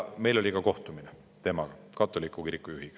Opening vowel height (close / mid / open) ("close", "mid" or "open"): mid